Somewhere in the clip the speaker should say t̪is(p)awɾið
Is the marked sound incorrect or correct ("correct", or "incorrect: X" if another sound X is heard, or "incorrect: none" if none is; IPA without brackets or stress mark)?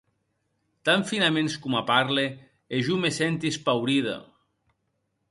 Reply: correct